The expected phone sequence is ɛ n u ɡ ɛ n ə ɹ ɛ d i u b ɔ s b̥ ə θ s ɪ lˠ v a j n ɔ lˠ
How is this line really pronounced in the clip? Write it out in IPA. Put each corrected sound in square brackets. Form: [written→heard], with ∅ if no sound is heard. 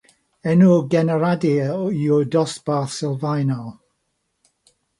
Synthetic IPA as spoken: ɛ n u ɡ ɛ n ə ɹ [ɛ→a] d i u [b→d] ɔ s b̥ [ə→a] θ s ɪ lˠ v a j n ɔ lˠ